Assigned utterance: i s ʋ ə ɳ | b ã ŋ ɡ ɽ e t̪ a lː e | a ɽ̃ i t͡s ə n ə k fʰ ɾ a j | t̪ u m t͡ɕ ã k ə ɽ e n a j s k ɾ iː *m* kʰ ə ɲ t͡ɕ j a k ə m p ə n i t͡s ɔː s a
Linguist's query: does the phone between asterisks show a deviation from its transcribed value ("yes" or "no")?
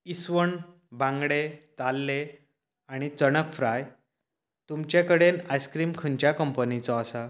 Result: no